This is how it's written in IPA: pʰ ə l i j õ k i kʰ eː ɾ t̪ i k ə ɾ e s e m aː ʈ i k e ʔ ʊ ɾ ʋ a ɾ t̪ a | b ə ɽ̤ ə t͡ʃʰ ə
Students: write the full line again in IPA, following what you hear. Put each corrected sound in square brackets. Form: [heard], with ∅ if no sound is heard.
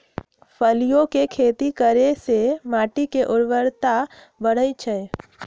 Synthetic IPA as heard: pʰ ə l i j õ k [e] kʰ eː [∅] t̪ i k ə ɾ e s e m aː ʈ i k e ʔ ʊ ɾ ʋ [ə] ɾ t̪ a | b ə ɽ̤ ə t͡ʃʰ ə